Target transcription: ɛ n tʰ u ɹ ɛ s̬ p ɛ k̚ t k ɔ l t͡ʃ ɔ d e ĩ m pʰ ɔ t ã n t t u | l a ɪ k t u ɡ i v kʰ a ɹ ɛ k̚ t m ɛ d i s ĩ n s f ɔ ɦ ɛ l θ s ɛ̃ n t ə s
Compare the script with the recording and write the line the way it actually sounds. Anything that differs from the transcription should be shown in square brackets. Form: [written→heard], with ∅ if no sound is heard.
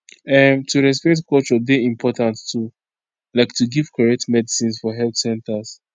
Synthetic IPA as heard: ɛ [n→m] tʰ u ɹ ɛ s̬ p ɛ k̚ t k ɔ l t͡ʃ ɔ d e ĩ m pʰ ɔ t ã n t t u | l a ɪ k t u ɡ i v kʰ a ɹ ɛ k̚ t m ɛ d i s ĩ n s f ɔ ɦ ɛ l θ s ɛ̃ n t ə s